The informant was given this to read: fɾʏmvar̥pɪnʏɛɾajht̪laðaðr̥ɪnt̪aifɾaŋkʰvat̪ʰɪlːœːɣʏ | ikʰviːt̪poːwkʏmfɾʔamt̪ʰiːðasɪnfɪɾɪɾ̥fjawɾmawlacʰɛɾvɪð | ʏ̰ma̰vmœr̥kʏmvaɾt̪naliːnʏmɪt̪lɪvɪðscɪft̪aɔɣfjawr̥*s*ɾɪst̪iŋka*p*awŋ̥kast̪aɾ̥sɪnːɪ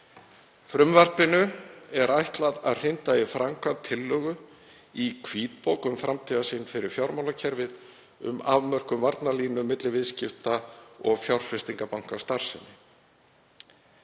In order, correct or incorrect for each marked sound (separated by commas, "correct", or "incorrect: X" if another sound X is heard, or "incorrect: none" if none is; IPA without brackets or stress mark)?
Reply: incorrect: f, correct